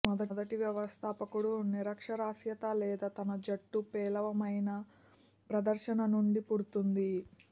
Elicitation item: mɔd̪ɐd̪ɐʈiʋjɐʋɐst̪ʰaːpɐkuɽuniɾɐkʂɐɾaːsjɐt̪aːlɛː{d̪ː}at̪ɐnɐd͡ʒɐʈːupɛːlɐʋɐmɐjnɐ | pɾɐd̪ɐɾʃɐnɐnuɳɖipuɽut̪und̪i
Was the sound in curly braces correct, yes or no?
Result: no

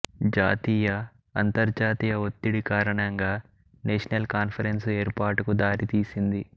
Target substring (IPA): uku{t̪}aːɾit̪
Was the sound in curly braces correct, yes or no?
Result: no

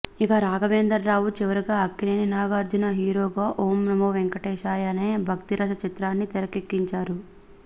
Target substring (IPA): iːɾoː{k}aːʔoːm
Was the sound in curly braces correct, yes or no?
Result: no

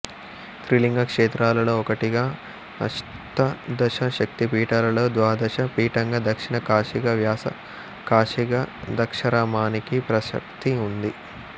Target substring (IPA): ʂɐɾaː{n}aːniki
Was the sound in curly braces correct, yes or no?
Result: no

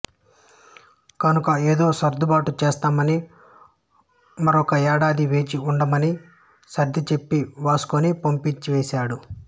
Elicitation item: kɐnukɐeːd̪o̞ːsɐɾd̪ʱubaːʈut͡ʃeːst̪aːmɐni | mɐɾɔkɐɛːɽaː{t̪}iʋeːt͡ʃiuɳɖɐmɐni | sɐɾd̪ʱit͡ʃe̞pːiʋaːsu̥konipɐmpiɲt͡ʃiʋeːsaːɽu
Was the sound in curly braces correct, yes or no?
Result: no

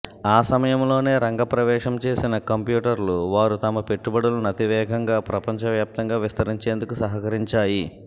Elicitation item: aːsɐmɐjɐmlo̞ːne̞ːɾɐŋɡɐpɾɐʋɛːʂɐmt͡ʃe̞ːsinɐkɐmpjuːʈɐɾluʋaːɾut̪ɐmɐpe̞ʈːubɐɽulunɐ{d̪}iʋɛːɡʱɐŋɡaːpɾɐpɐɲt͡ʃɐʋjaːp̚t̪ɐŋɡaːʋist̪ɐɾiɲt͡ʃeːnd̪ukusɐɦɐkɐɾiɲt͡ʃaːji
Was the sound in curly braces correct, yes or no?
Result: no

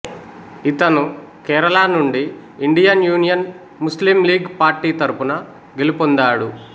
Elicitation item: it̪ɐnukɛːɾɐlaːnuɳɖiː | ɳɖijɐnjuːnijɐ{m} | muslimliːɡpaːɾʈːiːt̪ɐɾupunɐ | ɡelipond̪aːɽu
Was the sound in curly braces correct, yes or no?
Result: no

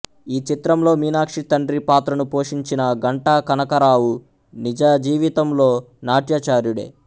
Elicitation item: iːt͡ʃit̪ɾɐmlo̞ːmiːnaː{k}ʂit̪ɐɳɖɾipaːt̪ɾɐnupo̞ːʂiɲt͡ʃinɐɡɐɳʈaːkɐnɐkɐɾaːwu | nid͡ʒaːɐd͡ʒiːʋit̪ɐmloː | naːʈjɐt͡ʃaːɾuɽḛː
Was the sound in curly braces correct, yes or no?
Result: yes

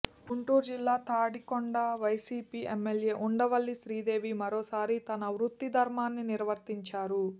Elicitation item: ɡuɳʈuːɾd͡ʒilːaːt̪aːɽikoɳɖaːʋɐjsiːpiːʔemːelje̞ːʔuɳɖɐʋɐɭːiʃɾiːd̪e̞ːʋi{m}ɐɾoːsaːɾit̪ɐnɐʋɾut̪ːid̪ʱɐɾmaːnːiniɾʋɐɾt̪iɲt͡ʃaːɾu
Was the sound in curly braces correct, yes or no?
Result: yes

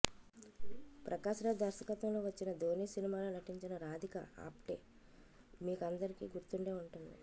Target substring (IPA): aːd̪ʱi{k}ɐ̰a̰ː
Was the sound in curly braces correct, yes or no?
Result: yes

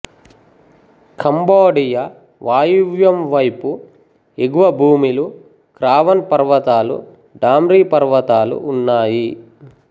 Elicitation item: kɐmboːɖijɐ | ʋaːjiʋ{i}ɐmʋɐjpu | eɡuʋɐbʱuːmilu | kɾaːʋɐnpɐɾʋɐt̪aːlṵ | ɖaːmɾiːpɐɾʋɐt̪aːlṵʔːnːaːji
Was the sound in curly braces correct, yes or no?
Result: no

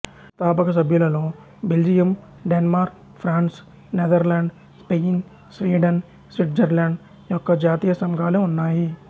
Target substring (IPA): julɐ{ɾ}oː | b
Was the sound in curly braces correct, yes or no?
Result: no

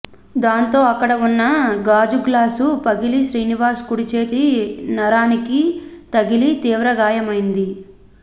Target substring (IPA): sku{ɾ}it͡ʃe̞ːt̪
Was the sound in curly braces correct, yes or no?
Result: no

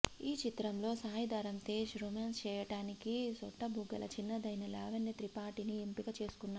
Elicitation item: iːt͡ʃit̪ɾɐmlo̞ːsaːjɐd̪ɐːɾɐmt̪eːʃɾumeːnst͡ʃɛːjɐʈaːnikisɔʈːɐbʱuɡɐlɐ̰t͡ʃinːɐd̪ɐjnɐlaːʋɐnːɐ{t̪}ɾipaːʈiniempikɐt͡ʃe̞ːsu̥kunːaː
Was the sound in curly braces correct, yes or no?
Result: yes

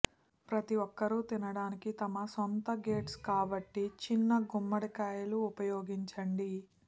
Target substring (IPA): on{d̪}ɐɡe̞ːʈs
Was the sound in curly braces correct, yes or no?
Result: no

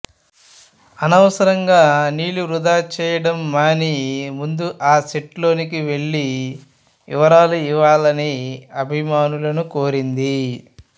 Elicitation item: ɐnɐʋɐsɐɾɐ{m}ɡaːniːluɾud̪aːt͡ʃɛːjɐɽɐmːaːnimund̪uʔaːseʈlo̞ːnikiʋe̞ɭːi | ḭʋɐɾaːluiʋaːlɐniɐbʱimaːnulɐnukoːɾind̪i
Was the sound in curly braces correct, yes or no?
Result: no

